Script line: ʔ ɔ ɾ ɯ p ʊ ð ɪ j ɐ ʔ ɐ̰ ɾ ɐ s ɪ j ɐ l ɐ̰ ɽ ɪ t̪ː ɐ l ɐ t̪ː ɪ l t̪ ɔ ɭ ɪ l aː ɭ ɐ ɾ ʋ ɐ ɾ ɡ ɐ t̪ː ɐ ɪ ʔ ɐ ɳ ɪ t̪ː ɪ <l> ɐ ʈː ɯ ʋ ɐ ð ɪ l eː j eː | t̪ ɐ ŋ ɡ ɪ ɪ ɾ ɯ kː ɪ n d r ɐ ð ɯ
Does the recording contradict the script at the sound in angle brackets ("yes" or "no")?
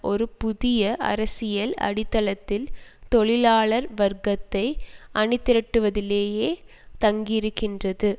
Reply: yes